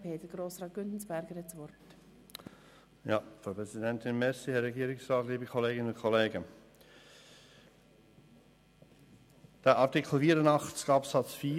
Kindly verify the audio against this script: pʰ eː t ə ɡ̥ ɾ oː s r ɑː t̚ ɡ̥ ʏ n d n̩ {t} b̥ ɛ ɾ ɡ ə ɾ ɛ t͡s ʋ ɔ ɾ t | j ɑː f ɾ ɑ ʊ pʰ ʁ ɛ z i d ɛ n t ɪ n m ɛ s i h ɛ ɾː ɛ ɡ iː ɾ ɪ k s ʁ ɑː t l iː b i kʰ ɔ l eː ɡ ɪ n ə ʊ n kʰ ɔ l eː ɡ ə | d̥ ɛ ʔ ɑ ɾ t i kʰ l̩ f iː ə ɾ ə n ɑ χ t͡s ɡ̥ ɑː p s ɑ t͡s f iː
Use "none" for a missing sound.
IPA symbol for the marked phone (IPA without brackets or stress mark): s